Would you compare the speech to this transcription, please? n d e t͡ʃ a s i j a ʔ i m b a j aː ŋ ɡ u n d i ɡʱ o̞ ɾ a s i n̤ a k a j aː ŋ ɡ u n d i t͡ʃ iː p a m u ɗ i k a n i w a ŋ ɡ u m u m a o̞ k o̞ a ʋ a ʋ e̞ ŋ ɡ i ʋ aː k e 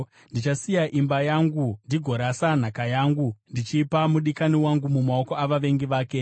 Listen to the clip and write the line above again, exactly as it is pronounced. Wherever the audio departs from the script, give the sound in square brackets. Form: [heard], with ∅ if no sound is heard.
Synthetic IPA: n d [i] t͡ʃ a s i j a ʔ i m b a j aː ŋ ɡ u n d i ɡʱ o̞ ɾ a s [a] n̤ a k a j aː ŋ ɡ u n d i t͡ʃ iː p a m u ɗ i k a n i w a ŋ ɡ u m u m a o̞ k o̞ a ʋ a ʋ e̞ ŋ ɡ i ʋ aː k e